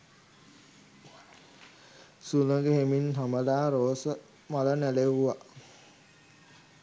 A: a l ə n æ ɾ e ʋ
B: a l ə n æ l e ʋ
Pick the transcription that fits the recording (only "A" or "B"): B